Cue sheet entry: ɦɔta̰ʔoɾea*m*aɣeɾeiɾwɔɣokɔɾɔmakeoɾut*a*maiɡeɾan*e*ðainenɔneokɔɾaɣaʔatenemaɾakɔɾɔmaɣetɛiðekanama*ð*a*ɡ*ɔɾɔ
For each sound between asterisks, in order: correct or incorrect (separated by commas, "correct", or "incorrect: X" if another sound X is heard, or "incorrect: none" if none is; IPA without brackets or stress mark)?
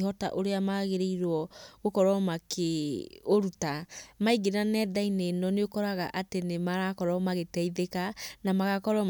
correct, correct, incorrect: ɛ, incorrect: ɣ, incorrect: k